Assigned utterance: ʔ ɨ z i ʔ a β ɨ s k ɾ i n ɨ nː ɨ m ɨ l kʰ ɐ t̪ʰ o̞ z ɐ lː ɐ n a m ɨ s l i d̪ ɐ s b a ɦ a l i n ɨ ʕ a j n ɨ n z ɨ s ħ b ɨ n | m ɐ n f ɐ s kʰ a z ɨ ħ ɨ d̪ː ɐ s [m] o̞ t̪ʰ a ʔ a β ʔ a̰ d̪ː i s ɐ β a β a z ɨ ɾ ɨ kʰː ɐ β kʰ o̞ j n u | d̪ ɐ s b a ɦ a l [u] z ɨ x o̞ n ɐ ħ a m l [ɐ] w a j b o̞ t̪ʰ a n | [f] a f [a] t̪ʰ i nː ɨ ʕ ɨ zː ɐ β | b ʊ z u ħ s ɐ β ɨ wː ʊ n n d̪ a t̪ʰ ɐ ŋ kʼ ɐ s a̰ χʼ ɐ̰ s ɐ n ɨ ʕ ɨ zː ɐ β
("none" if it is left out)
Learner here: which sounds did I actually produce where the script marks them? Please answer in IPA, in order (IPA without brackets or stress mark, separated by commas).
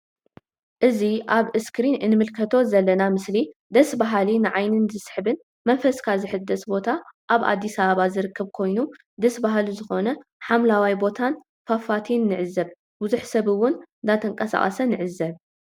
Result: b, u, a, f, a